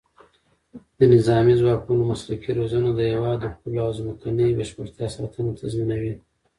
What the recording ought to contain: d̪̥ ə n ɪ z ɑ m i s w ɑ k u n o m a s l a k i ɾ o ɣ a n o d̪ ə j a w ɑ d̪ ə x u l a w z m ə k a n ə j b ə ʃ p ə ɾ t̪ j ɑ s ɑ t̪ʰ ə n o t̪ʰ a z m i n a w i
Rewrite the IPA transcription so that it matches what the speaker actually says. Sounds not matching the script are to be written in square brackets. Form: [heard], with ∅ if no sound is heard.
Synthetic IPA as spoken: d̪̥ ə n ɪ z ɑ m i [z] w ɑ k u n o m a s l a k i ɾ o [z] a n o d̪ ə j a w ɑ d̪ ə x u l a w z m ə k a n ə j b ə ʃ p ə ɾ t̪ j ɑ s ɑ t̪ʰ ə n o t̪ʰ a z m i n a w i